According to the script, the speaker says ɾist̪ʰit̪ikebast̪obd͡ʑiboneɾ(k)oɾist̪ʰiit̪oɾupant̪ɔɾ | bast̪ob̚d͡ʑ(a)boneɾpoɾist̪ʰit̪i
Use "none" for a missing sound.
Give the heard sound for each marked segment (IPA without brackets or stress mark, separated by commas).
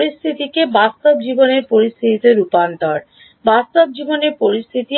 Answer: p, i